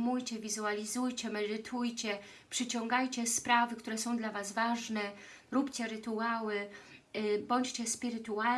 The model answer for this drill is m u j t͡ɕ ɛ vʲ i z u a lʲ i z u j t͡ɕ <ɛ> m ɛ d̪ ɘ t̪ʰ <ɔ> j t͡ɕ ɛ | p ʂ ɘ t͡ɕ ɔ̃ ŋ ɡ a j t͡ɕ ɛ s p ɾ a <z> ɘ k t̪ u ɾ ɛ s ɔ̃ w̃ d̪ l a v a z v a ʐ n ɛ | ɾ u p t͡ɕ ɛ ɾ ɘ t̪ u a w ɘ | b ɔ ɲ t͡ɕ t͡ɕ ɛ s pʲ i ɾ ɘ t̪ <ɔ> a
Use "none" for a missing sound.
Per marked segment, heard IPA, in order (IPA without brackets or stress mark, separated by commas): ɛ, u, v, u